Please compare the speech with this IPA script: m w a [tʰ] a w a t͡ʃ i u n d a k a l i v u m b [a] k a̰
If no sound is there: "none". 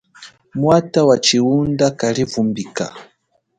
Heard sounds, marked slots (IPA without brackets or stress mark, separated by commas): t, i